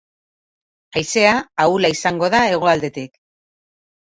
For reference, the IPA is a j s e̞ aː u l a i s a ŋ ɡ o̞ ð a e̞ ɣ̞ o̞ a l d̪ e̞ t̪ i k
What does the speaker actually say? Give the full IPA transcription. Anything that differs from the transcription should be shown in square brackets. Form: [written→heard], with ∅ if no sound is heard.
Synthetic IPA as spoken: a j s e̞ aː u l a i s a ŋ ɡ o̞ ð a e̞ ɣ̞ o̞ a l d̪ e̞ t̪ i k